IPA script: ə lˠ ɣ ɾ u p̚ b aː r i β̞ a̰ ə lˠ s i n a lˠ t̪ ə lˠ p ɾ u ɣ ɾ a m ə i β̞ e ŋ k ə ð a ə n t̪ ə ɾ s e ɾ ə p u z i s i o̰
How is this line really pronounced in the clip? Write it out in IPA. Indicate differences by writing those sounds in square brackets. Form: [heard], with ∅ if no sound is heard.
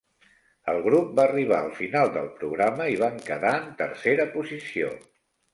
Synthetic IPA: ə lˠ ɣ ɾ u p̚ b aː r i β̞ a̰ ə lˠ [f] i n a lˠ [d̪] ə lˠ p ɾ u ɣ ɾ a m ə i β̞ [a] ŋ k ə ð a ə n t̪ ə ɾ s e ɾ ə p u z i s i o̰